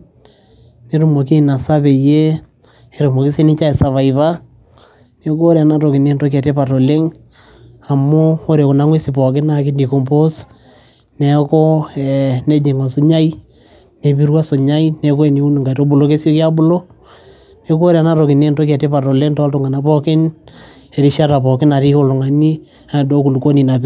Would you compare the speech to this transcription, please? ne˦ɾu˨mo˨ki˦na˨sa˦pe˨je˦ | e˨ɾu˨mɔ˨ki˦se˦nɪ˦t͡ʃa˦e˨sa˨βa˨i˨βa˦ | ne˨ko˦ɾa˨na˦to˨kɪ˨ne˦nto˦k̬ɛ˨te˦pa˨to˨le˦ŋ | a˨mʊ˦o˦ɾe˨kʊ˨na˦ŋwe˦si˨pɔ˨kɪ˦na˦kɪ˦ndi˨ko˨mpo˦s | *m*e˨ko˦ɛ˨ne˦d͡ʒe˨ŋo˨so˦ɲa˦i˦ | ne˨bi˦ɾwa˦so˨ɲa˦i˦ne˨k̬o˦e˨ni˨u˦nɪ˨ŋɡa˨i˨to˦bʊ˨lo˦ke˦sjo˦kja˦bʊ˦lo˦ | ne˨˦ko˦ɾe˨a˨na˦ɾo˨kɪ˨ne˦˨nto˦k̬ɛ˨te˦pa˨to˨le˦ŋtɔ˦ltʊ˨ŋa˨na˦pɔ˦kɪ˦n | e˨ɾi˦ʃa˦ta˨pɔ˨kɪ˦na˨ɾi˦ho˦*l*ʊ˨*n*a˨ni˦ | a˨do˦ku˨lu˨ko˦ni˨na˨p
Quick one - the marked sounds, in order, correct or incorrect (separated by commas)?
incorrect, correct, incorrect